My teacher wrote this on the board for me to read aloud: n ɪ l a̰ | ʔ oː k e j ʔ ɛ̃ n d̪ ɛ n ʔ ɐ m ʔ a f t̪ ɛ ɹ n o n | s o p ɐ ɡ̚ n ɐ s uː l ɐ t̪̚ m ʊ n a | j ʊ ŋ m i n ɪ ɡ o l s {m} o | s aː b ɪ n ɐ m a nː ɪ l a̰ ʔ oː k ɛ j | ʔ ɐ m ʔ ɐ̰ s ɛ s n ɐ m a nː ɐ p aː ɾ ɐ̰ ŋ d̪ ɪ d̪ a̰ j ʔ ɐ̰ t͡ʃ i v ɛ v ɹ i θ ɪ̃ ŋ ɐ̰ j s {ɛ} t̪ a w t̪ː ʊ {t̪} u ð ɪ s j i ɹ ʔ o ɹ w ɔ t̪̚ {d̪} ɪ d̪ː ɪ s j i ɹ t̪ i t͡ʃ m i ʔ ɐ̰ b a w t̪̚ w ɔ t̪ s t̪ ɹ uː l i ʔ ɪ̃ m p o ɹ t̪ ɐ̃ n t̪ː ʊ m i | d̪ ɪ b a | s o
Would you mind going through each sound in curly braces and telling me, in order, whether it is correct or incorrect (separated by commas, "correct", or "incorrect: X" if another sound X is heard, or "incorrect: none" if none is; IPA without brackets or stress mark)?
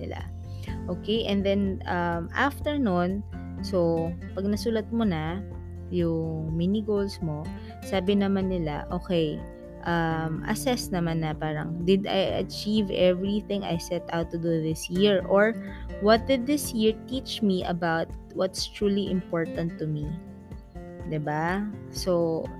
correct, correct, incorrect: d̪, correct